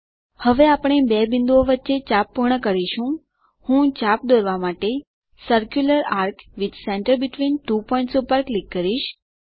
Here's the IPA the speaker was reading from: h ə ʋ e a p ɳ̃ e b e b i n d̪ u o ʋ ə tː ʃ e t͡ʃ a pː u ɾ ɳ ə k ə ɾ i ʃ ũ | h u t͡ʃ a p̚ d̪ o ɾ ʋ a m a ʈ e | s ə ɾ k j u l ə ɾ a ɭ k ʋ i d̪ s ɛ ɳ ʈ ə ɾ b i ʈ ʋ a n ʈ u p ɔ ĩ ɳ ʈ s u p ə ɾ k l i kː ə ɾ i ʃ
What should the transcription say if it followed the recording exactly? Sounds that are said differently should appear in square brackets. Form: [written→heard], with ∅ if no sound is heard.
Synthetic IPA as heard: h ə ʋ e a p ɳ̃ e b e b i n d̪ u o ʋ ə tː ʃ e t͡ʃ a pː u ɾ ɳ ə k ə ɾ i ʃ ũ | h [u→ũ] t͡ʃ a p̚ d̪ o ɾ ʋ a m a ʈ e | s ə ɾ k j u l ə ɾ a [ɭ→ɾ] k ʋ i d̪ s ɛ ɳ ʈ ə ɾ b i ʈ ʋ [a→i] n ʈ u p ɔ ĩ ɳ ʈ s u p ə ɾ k l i kː ə ɾ i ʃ

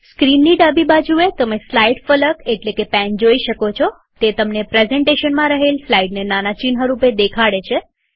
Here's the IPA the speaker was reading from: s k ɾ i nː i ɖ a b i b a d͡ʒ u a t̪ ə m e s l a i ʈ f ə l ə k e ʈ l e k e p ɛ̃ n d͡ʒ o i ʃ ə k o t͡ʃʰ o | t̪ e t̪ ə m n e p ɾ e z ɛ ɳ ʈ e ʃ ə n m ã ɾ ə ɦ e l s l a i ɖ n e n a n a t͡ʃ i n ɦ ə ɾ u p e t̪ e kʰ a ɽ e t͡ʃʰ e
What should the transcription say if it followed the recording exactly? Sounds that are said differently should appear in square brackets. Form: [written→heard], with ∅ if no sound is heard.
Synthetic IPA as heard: s k ɾ i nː i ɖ a b i b a d͡ʒ u [a→e] t̪ ə m e s l a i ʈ f ə l ə k e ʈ l e k e p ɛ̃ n d͡ʒ o i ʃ ə k o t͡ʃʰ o | t̪ e t̪ ə m n e p ɾ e z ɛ ɳ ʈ e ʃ ə n m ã ɾ ə ɦ e l s l a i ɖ n e n a n a t͡ʃ i n ɦ ə ɾ u p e [t̪→d̪] e kʰ a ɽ e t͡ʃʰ e

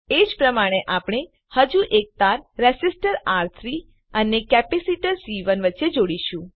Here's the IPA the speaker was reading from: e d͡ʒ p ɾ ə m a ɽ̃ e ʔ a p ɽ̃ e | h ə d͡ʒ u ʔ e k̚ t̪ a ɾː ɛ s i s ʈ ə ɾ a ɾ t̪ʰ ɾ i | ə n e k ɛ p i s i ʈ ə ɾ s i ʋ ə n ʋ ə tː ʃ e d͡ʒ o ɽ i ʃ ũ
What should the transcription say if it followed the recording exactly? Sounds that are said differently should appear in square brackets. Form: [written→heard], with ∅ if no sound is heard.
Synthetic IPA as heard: e d͡ʒ p ɾ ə m a ɽ̃ e ʔ a p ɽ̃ e | h ə d͡ʒ u ʔ e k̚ t̪ a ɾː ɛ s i s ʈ ə ɾ a ɾ t̪ʰ ɾ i | ə n e k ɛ p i s i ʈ ə ɾ s i ʋ ə n ʋ ə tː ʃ e d͡ʒ o ɽ i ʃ ũ

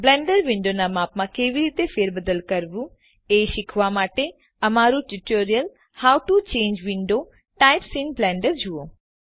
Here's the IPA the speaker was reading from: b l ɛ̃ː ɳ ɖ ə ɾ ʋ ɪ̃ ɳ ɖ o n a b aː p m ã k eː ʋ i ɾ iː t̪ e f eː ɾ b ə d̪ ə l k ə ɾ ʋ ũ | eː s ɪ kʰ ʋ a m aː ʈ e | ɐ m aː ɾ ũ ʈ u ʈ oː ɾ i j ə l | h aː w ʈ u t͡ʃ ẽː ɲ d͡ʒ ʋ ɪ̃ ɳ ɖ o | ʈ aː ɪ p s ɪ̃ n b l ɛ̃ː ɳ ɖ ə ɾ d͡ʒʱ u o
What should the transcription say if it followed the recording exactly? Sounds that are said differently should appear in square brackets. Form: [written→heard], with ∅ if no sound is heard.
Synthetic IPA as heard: b l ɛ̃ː ɳ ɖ ə ɾ ʋ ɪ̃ ɳ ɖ o n a [b→m] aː p m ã k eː ʋ i ɾ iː t̪ e f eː ɾ b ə d̪ ə l k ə ɾ ʋ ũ | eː [s→ʃ] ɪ kʰ ʋ a m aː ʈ e | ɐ m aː ɾ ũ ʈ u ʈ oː ɾ i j ə l | h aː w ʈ u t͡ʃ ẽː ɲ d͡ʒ ʋ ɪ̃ ɳ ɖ o | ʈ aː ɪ p s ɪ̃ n b l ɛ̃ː ɳ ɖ ə ɾ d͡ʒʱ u o

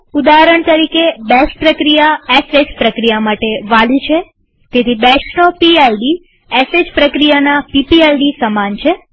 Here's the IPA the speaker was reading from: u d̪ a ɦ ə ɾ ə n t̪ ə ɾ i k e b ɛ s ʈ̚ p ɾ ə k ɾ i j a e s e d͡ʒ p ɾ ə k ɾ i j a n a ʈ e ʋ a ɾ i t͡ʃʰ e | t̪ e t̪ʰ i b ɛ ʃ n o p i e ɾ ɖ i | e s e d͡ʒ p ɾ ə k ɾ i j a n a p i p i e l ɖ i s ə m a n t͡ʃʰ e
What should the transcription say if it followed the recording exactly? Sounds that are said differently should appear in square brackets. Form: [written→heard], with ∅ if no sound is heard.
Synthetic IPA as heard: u d̪ a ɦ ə ɾ ə [n→ɳ] t̪ ə ɾ i k e b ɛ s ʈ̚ p ɾ ə k ɾ i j a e s e d͡ʒ p ɾ ə k ɾ i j a [n→m] a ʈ e ʋ a [ɾ→l] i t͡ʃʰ e | t̪ e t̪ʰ i b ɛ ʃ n o p i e [ɾ→l] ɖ i | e s e d͡ʒ p ɾ ə k ɾ i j a n a p i p i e l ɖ i s ə m a n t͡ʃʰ e

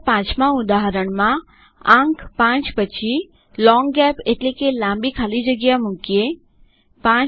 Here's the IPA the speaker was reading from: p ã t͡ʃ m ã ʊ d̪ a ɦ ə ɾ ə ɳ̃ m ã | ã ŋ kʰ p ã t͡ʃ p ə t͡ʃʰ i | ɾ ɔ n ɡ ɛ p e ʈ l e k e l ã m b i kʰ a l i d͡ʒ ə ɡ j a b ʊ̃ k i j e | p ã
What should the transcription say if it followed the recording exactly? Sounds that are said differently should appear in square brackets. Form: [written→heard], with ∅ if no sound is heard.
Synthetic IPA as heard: p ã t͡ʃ m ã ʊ d̪ a ɦ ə ɾ ə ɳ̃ m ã | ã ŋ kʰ p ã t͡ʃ p ə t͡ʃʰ i | [ɾ→l] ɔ [n→ŋ] ɡ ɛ p e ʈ l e k e l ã m b i kʰ a l i d͡ʒ ə ɡ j a [b→m] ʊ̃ k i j e | p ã

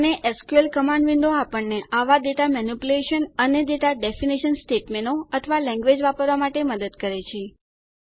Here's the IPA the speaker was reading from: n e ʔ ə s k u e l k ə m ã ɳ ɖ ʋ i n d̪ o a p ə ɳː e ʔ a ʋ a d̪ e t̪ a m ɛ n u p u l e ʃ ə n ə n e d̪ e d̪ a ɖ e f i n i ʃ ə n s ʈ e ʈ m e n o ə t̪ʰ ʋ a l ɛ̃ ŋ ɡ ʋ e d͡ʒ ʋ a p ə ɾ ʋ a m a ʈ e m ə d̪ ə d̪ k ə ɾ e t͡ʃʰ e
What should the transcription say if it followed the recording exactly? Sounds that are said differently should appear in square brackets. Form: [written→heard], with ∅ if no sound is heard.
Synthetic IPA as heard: n e ʔ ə s k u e l k ə m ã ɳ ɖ ʋ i n d̪ o a p ə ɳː e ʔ a ʋ a d̪ e t̪ a m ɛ n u p u l e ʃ ə n ə n e d̪ e [d̪→t̪] a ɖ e f i n i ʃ ə n s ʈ e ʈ m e n o ə t̪ʰ ʋ a l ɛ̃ ŋ ɡ ʋ e d͡ʒ ʋ a p ə ɾ ʋ a m a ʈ e m ə d̪ ə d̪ k ə ɾ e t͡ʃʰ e

